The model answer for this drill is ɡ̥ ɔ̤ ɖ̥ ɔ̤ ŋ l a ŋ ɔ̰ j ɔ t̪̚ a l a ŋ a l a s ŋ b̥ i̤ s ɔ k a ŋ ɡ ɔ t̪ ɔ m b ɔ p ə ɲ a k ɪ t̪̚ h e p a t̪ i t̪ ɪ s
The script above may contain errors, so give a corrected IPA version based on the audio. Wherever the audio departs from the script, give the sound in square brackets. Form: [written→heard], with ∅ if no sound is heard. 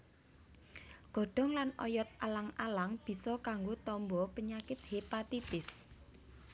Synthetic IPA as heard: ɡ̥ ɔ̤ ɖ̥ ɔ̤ ŋ l a [ŋ→n] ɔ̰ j ɔ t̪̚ a l a ŋ a l a [s→∅] ŋ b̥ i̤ s ɔ k a ŋ ɡ [ɔ→o] t̪ ɔ m b ɔ p ə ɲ a k ɪ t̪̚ h e p a t̪ i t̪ ɪ s